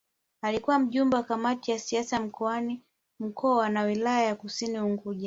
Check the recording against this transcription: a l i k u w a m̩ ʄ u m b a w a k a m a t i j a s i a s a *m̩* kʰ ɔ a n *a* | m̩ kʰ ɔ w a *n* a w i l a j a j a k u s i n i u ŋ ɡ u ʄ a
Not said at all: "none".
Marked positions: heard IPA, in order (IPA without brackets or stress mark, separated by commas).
m̩, i, n